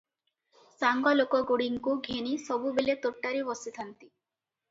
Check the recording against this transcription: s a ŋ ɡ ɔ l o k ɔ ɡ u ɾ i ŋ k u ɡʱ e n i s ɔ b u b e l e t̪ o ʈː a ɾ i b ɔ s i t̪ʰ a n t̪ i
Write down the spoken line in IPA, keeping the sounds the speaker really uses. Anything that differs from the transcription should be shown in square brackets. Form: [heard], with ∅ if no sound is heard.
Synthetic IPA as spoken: s a ŋ ɡ ɔ l o k ɔ ɡ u [ɽ] i ŋ k u ɡʱ e n i s ɔ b u b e l e t̪ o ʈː a ɾ i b ɔ s i t̪ʰ a n t̪ i